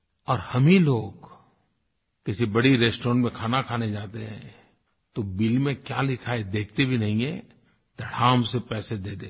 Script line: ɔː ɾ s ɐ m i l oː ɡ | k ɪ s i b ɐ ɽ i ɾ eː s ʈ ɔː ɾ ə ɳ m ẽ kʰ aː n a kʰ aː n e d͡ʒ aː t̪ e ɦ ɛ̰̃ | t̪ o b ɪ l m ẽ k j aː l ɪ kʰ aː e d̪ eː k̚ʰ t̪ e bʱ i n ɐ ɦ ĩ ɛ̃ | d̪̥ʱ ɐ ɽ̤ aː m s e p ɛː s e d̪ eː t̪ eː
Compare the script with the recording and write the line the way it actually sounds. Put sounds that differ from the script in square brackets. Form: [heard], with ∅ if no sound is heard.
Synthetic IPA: ɔː ɾ [h] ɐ m i l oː ɡ | k ɪ s i b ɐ ɽ i ɾ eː s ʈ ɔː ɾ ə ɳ m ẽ kʰ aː n a kʰ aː n e d͡ʒ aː t̪ e ɦ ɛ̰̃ | t̪ o b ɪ l m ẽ k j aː l ɪ kʰ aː e d̪ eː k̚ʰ t̪ e bʱ i n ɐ ɦ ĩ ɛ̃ | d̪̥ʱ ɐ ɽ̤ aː m s e p ɛː s e d̪ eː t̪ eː